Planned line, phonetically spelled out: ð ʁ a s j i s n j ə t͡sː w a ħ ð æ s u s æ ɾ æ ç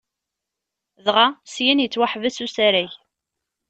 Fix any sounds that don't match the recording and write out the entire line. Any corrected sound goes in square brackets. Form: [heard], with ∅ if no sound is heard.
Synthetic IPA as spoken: ð ʁ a s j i [∅] n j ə t͡sː w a ħ [v] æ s u s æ ɾ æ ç